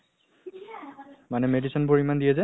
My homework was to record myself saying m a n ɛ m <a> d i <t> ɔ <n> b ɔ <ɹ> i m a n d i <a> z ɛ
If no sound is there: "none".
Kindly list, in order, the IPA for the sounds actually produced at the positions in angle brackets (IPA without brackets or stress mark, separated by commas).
e, s, n, ɹ, ɛ